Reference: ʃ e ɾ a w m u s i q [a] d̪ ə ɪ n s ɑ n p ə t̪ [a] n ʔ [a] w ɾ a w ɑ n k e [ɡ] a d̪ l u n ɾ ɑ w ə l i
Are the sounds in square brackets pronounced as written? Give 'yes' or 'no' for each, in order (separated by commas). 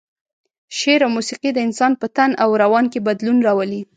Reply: no, yes, yes, no